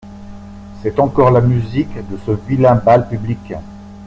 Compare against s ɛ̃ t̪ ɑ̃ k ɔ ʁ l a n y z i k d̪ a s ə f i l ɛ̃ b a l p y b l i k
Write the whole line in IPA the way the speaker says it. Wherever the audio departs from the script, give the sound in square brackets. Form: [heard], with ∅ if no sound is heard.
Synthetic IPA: s [ɛ] t̪ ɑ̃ k ɔ ʁ l a [m] y z i k d̪ [ə] s ə [v] i l ɛ̃ b a l p y b l i k